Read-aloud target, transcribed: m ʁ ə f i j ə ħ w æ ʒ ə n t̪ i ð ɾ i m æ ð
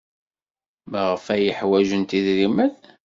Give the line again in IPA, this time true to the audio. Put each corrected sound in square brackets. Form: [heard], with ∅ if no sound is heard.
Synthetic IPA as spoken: m ʁ ə f [æ] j ə ħ w æ ʒ ə n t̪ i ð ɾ i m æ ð